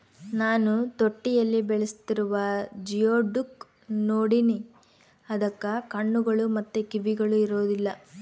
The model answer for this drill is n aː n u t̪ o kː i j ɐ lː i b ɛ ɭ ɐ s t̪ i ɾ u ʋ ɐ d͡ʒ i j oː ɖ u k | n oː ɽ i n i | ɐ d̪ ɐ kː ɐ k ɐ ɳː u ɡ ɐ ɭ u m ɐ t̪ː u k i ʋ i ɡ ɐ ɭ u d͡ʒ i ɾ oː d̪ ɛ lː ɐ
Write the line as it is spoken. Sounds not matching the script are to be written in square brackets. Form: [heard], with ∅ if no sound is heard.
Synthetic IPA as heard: n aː n u t̪ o [ʈː] i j ɐ lː i b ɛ ɭ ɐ s t̪ i ɾ u ʋ ɐ d͡ʒ i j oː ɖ u k | n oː ɽ i n i | ɐ d̪ ɐ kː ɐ k ɐ ɳː u ɡ ɐ ɭ u m ɐ t̪ː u k i ʋ i ɡ ɐ ɭ u [∅] i ɾ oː d̪ [i] lː ɐ

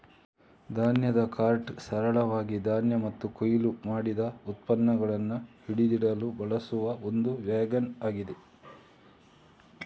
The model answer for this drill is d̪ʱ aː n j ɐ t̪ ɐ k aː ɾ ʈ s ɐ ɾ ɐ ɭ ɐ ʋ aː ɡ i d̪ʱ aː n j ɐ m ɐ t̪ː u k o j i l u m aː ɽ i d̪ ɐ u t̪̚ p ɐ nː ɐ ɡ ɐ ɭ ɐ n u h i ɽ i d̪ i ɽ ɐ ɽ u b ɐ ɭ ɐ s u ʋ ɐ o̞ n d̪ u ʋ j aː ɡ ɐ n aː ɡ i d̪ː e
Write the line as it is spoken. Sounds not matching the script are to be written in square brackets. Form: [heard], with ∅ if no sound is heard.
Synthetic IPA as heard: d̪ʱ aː n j ɐ [d̪] ɐ k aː ɾ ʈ s ɐ ɾ ɐ ɭ ɐ ʋ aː ɡ i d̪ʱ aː n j ɐ m ɐ t̪ː u k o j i l u m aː ɽ i d̪ ɐ u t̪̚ p ɐ nː ɐ ɡ ɐ ɭ ɐ [nː] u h i ɽ i d̪ i ɽ ɐ [l] u b ɐ ɭ ɐ s u ʋ ɐ o̞ n d̪ u ʋ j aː ɡ ɐ n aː ɡ i [d̪] e

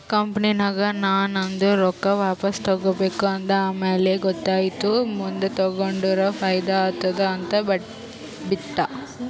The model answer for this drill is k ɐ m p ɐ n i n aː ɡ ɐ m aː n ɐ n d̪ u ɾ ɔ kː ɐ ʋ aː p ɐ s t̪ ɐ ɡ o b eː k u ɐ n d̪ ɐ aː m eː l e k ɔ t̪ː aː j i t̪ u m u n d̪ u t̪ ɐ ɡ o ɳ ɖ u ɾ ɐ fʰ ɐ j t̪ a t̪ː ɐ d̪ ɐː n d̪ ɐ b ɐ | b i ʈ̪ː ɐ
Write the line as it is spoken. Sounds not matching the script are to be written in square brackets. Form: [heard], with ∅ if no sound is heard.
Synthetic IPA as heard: k ɐ m p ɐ n i n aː ɡ ɐ [n] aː n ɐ n d̪ u ɾ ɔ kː ɐ ʋ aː p ɐ s t̪ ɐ ɡ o b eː k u ɐ n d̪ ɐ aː m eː l e [ɡ] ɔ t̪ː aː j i t̪ u m u n d̪ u t̪ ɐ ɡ o ɳ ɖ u ɾ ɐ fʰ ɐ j [d̪] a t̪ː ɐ d̪ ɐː n [t̪] ɐ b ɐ | b i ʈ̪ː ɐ

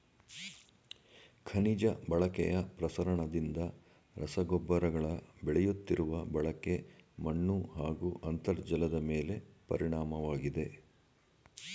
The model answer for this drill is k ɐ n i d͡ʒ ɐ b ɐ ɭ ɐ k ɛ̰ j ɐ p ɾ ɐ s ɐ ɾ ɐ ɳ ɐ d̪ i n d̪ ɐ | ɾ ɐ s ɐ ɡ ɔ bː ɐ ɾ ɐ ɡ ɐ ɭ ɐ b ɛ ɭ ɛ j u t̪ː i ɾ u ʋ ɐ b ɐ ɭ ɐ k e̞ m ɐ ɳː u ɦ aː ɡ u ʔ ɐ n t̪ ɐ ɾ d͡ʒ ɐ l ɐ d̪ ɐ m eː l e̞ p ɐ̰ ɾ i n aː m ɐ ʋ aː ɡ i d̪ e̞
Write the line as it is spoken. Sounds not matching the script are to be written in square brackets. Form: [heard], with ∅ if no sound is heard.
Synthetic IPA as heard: [kʰ] ɐ n i d͡ʒ ɐ b ɐ ɭ ɐ k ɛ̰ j ɐ p ɾ ɐ s ɐ ɾ ɐ ɳ ɐ d̪ i n d̪ ɐ | ɾ ɐ s ɐ ɡ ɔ bː ɐ ɾ ɐ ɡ ɐ ɭ ɐ b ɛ ɭ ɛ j u t̪ː i ɾ u ʋ ɐ b ɐ ɭ ɐ k e̞ m ɐ ɳː u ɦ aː ɡ u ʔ ɐ n t̪ ɐ ɾ d͡ʒ ɐ l ɐ d̪ ɐ m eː l e̞ p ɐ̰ ɾ i [ɳ] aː m ɐ ʋ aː ɡ i d̪ e̞

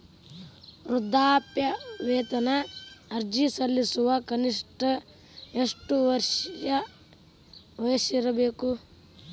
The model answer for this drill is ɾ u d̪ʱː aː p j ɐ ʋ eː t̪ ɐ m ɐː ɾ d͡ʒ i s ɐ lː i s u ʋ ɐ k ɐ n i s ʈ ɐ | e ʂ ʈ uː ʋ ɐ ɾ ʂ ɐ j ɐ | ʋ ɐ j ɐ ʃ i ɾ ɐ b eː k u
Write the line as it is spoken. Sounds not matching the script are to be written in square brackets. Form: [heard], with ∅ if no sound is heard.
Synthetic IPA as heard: ɾ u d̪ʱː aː p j ɐ ʋ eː t̪ ɐ [n] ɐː ɾ d͡ʒ i s ɐ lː i s u ʋ ɐ k ɐ n i [ʂ] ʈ ɐ | e ʂ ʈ [u] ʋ ɐ ɾ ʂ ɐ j ɐ | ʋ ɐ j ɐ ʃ i ɾ ɐ b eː k u

